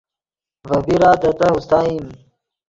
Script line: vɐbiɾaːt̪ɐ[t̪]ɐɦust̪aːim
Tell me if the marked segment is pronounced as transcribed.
yes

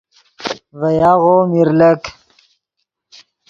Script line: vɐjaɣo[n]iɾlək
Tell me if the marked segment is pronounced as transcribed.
no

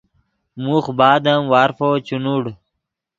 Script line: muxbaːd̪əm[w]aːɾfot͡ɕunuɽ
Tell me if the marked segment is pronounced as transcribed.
yes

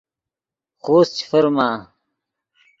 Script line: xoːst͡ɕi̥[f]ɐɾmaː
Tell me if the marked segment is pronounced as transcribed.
yes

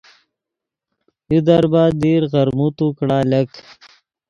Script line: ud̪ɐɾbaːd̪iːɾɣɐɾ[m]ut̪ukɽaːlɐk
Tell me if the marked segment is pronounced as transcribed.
yes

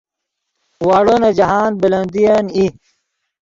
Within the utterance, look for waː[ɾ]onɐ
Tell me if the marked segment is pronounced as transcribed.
no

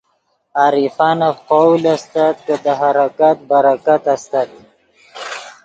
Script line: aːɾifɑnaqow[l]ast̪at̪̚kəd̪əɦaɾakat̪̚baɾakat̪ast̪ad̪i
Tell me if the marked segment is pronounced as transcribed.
yes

